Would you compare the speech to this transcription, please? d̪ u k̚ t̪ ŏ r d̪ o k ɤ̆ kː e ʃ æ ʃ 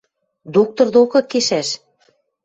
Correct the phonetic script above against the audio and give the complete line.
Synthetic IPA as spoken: d̪ o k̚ t̪ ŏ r d̪ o k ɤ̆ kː e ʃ æ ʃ